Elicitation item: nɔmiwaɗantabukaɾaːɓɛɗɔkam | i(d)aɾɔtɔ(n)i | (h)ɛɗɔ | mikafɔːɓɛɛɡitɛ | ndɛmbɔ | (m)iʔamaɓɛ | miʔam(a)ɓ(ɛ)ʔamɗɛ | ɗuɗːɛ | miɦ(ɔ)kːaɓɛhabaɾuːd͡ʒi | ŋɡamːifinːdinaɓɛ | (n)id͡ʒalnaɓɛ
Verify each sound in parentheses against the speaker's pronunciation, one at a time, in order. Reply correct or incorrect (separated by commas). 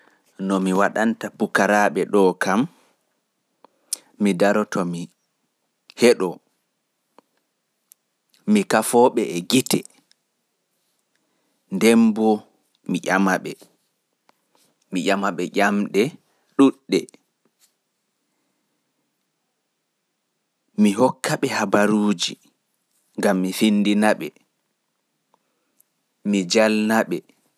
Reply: correct, incorrect, correct, correct, correct, correct, correct, incorrect